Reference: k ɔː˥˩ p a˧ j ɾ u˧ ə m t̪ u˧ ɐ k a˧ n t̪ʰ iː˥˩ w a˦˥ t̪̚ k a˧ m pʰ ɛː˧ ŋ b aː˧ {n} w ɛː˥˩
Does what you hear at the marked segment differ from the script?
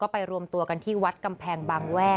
yes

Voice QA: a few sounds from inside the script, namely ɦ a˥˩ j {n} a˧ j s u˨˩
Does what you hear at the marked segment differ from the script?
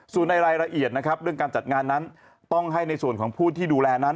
no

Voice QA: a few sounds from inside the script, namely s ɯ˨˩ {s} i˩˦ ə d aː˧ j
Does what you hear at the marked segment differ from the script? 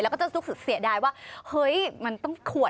no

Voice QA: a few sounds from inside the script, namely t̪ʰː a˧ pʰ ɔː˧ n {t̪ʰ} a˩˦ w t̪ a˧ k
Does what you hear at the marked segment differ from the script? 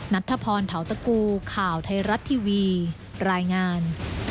no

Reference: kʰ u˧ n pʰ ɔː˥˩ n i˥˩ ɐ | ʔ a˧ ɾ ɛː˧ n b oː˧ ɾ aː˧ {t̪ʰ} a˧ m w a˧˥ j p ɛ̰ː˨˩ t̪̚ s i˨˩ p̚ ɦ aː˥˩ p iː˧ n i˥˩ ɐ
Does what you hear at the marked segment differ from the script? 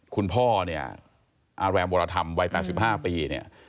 no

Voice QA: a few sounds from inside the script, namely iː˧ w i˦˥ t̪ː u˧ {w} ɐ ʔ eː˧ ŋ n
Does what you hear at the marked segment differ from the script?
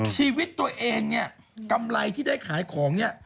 yes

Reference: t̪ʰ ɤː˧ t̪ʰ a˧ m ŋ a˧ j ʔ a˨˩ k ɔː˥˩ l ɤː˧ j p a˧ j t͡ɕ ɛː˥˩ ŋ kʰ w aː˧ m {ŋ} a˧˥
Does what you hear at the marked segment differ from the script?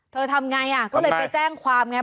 no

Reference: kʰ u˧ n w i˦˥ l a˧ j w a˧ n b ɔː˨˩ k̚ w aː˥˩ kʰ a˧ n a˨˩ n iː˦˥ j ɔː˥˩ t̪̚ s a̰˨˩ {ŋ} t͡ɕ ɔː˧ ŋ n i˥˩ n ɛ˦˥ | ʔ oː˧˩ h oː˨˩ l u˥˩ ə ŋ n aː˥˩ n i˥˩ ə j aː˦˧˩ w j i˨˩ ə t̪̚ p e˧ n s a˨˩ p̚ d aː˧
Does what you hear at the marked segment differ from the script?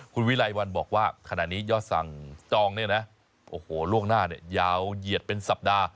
no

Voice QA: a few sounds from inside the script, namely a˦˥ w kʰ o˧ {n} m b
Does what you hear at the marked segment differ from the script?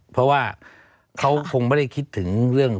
yes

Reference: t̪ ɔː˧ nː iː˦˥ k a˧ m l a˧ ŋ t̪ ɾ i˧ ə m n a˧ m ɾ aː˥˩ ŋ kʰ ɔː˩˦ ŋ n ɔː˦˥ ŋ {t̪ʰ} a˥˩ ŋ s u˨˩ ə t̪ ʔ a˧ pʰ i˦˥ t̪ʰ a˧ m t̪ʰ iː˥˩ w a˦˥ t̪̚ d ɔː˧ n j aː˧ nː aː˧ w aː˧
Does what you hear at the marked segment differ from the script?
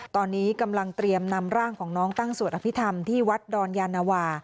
yes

